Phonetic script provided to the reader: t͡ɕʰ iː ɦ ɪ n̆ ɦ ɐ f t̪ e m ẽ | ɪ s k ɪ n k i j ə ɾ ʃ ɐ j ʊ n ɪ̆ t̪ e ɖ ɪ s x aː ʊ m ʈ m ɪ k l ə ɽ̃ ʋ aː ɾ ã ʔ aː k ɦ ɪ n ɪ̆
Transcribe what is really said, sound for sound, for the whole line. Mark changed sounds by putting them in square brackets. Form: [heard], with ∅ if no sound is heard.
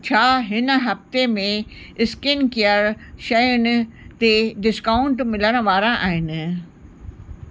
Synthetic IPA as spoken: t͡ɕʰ [aː] ɦ ɪ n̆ ɦ ɐ f t̪ e m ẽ | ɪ s k ɪ n k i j ə ɾ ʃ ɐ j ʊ n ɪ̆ t̪ e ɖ ɪ s [k] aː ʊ [ɳ] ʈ m ɪ [∅] l ə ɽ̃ ʋ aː ɾ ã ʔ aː [∅] ɦ ɪ n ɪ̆